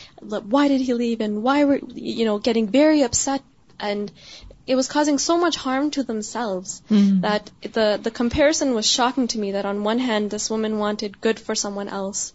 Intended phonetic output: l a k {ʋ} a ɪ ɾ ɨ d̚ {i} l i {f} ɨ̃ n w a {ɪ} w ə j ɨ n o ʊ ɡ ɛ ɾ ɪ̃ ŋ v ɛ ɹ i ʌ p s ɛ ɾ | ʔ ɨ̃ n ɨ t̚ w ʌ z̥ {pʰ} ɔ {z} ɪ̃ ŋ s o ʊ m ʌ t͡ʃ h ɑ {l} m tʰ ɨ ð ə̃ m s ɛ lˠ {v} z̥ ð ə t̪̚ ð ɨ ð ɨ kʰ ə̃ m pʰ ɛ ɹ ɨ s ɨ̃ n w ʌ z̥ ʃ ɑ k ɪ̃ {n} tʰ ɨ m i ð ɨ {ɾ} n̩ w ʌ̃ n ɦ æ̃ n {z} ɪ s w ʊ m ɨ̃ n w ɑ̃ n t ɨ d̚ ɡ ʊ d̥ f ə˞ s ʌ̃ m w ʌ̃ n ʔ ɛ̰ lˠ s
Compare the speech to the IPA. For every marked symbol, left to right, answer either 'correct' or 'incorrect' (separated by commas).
incorrect, correct, incorrect, correct, incorrect, correct, incorrect, correct, incorrect, correct, incorrect